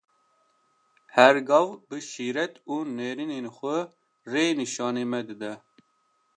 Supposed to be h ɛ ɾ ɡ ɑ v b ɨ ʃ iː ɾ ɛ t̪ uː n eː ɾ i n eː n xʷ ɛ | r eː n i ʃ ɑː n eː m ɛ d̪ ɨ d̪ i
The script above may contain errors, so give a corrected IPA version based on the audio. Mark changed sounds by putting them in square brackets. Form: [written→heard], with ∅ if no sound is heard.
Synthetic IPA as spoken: h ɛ ɾ ɡ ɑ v b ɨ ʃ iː ɾ ɛ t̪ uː n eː ɾ i n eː n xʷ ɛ | r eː n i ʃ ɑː n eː m ɛ d̪ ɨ d̪ [i→ɛ]